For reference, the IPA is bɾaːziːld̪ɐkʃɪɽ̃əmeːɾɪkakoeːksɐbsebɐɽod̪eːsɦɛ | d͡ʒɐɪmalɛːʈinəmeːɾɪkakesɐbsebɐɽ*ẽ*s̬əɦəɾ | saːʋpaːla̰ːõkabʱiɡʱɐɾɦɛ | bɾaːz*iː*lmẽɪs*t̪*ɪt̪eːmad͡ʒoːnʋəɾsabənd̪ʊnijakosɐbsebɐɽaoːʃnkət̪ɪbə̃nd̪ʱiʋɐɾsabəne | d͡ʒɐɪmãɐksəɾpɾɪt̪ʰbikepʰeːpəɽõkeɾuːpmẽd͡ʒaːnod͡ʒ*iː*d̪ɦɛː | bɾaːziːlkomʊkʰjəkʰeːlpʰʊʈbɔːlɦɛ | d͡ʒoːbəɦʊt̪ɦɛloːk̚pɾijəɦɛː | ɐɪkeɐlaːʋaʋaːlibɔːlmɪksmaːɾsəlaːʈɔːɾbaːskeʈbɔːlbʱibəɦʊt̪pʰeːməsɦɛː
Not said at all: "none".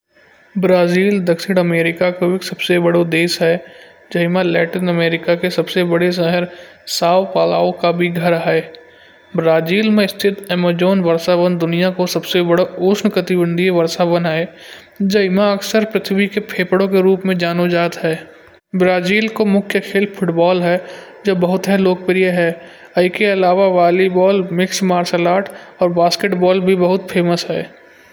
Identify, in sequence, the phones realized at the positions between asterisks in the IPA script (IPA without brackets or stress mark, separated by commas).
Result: e, iː, t̪ʰ, aː